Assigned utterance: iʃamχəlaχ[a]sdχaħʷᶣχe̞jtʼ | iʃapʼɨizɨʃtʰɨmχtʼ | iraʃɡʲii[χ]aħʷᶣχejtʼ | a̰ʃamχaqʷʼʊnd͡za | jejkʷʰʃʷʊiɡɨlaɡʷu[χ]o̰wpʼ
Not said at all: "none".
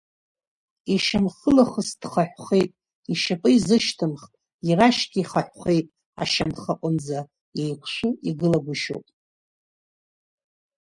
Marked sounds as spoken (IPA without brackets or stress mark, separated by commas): ə, χ, ʃ